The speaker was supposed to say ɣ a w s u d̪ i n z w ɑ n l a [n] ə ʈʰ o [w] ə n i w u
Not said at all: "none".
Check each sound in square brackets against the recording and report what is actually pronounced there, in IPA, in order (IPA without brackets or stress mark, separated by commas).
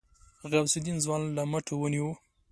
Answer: m, w